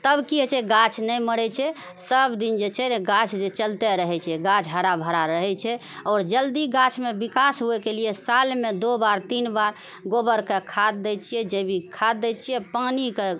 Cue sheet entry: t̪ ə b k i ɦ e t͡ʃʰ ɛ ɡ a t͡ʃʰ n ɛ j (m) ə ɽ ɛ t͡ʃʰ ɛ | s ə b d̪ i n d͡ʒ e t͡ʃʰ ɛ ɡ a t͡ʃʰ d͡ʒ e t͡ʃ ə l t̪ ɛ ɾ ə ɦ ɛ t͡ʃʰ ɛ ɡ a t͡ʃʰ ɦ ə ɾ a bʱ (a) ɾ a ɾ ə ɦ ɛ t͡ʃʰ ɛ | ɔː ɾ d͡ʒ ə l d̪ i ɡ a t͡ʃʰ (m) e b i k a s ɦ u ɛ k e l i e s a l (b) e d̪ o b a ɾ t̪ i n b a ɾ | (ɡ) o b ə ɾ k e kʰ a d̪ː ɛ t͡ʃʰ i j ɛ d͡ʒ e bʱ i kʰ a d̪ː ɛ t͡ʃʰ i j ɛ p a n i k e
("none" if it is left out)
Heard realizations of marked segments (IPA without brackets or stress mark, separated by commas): m, ə, m, m, ɡ